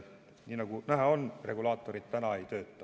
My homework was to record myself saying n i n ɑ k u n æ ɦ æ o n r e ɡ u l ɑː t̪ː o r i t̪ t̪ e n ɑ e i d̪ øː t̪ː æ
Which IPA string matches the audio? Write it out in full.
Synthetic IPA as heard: n i n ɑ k u n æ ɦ æ o n r e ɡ u l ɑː t̪ː o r i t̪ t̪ æ n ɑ e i t̪ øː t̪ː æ